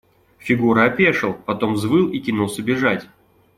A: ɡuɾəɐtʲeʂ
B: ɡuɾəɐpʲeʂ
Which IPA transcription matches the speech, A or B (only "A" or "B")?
B